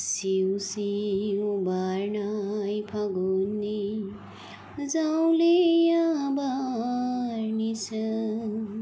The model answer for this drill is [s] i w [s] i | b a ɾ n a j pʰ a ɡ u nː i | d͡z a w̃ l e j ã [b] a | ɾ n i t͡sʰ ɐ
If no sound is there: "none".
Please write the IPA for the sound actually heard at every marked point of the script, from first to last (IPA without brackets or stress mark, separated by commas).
s, s, b